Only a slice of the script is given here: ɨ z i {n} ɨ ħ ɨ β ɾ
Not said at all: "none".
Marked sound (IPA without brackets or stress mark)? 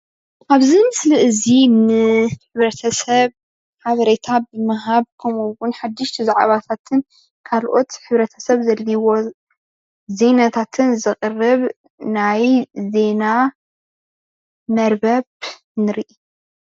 n